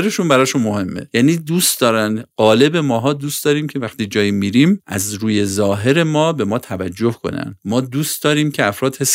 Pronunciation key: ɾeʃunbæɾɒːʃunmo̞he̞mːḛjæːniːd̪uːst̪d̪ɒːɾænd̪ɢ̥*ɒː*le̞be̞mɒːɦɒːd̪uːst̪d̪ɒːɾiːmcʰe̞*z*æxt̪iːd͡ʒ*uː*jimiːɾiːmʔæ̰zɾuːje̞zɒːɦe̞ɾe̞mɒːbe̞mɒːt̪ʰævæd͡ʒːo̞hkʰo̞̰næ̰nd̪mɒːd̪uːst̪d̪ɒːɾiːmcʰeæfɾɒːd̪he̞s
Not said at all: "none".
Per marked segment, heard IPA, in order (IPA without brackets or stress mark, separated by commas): ɒː, v, ɒː